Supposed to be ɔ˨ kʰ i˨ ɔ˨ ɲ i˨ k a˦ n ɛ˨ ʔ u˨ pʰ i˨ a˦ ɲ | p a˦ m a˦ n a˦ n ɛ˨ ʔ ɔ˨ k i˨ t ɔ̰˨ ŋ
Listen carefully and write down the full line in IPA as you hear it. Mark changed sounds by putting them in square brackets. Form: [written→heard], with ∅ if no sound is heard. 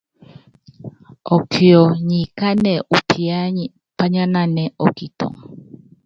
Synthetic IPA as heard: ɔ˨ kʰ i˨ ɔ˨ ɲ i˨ k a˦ n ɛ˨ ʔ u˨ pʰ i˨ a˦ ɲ | p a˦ [m→ɲ] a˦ n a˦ n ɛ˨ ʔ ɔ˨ k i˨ t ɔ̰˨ ŋ